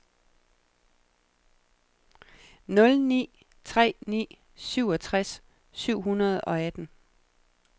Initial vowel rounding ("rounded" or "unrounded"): rounded